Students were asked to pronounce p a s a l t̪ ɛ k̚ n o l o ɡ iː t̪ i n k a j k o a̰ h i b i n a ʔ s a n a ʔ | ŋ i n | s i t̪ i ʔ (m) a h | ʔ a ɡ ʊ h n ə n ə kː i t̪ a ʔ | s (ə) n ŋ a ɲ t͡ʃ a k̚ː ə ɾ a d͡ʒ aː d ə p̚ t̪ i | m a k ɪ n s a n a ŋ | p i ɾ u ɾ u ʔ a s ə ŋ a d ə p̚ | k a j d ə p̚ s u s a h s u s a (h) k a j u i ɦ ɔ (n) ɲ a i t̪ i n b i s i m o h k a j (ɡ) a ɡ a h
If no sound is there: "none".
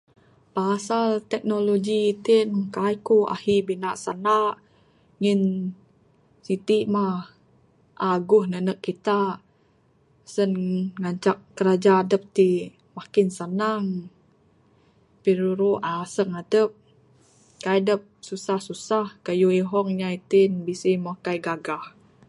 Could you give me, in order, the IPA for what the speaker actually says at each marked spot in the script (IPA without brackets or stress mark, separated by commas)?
m, ə, h, ŋ, ɡ